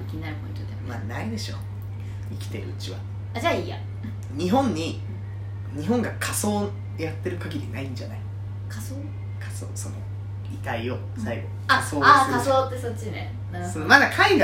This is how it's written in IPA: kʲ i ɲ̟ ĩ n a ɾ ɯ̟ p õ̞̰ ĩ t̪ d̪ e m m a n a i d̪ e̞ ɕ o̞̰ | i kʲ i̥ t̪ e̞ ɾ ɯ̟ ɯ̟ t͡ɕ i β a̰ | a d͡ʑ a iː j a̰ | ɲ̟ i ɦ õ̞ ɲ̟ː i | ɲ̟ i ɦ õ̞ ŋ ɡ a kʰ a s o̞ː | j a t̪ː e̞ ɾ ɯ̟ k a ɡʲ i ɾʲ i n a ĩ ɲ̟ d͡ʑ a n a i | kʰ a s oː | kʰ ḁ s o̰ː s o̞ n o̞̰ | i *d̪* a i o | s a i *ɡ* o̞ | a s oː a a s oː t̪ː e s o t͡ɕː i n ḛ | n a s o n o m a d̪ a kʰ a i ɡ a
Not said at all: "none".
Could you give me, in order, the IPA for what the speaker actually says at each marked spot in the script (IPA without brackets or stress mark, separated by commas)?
t̪, ɡ